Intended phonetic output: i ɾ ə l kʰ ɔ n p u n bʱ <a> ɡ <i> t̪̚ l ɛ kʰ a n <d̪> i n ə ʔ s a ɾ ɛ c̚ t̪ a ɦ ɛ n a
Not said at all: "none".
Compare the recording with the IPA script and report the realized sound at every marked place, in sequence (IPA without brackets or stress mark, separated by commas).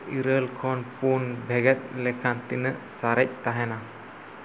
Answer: ɛ, ɛ, t̪